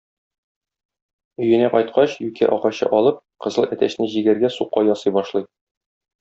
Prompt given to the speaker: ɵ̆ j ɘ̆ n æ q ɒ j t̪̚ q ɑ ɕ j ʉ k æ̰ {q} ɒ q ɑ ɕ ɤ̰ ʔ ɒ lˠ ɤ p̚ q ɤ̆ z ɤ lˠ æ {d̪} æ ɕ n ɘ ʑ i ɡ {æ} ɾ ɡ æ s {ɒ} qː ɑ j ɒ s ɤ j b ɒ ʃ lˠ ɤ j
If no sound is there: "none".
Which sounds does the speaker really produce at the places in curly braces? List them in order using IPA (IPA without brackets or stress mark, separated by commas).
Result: ʔ, t̪, æ, u